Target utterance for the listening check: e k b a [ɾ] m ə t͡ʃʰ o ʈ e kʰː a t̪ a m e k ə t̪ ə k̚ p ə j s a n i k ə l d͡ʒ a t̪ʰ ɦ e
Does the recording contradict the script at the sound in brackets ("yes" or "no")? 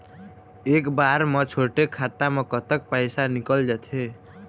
no